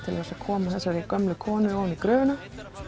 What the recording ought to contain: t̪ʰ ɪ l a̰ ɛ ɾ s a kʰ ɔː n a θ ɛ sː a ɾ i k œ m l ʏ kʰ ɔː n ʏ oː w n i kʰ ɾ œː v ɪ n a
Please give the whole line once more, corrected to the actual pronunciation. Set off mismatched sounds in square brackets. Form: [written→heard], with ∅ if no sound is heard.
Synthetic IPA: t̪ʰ ɪ l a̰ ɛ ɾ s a kʰ ɔː [n→m] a θ ɛ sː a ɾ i k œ m l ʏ kʰ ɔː n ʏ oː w n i [kʰ→k] ɾ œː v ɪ n a